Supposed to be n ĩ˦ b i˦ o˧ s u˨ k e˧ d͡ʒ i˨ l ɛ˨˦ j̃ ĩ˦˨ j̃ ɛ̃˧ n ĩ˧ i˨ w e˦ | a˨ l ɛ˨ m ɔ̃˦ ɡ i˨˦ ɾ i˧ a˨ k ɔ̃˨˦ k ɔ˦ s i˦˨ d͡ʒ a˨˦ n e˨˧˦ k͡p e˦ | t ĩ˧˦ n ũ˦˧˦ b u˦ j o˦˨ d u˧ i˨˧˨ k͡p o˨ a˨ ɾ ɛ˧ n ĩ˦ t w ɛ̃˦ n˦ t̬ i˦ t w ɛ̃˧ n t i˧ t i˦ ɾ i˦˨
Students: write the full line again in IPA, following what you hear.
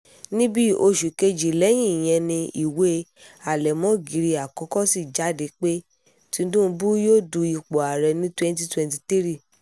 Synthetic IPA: n ĩ˦ b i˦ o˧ ʃ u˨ k e˧ d͡ʒ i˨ l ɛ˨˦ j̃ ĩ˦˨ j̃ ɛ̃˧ n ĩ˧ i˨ w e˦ | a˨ l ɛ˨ m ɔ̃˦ ɡ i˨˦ ɾ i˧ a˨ k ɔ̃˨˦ k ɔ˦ s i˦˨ d͡ʒ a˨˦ d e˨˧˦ k͡p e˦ | t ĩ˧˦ d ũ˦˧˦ b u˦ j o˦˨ d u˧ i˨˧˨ k͡p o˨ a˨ ɾ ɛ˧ n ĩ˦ t w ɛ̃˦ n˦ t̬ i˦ t w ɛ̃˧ n t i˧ t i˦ ɾ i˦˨